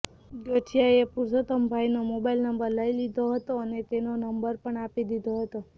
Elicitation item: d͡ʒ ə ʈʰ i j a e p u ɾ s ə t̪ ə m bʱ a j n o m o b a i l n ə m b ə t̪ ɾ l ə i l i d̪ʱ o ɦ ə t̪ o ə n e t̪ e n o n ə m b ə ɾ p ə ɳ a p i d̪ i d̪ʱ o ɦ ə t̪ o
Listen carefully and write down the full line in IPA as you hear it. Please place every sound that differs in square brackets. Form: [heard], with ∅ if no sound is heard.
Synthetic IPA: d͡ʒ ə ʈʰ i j a e p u ɾ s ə t̪ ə m bʱ a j n o m o b a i l n ə m b ə [∅] ɾ l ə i l i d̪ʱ o ɦ ə t̪ o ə n e t̪ e n o n ə m b ə ɾ p ə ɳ a p i d̪ i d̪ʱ o ɦ ə t̪ o